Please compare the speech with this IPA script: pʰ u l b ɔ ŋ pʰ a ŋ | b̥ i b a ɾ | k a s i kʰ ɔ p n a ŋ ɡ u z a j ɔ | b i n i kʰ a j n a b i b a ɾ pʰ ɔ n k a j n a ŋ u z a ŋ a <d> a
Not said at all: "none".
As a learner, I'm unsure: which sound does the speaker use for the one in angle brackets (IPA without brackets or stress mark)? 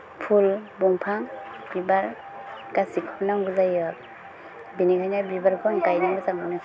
n